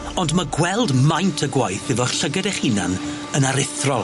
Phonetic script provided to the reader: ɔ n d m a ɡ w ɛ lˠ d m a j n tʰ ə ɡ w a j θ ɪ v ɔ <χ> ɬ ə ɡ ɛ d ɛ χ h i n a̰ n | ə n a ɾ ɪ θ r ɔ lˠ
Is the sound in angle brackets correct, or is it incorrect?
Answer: correct